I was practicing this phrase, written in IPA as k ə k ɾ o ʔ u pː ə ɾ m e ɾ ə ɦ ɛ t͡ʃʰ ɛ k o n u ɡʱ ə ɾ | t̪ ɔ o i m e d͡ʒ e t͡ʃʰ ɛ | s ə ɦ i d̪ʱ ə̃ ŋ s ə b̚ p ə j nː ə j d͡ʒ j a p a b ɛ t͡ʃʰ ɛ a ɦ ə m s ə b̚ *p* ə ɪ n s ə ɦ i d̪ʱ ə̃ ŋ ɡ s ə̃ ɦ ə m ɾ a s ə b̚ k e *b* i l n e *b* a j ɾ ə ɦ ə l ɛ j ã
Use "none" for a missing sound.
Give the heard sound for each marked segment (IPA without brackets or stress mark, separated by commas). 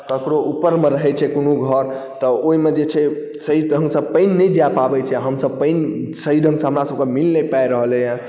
p, m, p